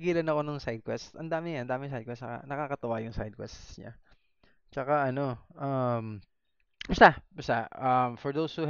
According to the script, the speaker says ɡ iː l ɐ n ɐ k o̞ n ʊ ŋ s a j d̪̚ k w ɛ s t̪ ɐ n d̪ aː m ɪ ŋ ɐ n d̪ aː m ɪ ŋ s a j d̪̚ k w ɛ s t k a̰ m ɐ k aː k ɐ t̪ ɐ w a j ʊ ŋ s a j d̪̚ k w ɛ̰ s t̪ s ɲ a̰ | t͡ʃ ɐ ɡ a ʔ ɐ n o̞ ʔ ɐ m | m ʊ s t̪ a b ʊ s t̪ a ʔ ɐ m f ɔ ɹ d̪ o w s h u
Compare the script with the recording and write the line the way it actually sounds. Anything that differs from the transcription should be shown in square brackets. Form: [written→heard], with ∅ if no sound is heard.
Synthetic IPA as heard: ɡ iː l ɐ n ɐ k o̞ n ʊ ŋ s a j d̪̚ k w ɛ s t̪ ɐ n d̪ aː m ɪ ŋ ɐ n d̪ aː m ɪ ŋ s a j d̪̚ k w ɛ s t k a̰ [m→n] ɐ k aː k ɐ t̪ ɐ w a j ʊ ŋ s a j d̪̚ k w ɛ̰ s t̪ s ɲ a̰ | t͡ʃ ɐ [ɡ→k] a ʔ ɐ n o̞ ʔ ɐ m | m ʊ s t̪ a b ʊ s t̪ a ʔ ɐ m f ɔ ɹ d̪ o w s h u